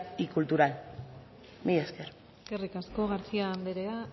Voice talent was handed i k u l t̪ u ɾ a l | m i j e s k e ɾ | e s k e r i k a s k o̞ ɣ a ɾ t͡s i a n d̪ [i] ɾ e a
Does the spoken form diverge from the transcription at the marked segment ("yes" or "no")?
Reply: yes